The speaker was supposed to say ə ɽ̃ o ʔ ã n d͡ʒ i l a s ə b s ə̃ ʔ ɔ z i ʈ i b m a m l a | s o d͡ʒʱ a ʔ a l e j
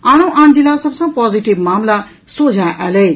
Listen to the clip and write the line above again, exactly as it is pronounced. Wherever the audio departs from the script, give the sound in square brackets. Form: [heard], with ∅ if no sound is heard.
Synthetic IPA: [a] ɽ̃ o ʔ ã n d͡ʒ i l a s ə b s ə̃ [p] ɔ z i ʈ i b m a m l a | s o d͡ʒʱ a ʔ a l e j